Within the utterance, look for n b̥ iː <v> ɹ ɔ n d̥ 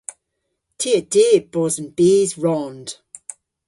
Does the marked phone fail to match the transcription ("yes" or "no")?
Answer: yes